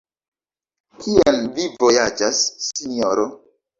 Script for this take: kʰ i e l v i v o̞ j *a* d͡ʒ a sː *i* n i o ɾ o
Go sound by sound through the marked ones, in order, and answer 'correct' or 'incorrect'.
correct, correct

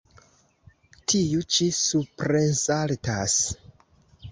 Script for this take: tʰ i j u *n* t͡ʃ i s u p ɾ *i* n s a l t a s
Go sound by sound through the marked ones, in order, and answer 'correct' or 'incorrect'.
incorrect: none, incorrect: e

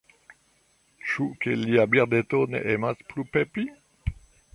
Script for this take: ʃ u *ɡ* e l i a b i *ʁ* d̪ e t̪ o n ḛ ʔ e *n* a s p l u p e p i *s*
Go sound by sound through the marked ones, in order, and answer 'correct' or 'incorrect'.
incorrect: k, correct, incorrect: m, incorrect: none

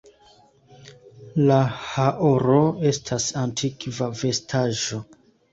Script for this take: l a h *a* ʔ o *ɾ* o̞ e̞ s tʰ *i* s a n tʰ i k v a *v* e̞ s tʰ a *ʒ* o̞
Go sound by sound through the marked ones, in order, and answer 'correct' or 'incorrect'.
correct, correct, incorrect: a, correct, correct

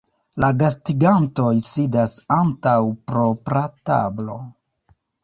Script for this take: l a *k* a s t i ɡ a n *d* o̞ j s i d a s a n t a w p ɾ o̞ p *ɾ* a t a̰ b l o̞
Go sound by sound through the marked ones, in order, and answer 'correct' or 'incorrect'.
incorrect: ɡ, incorrect: t, correct

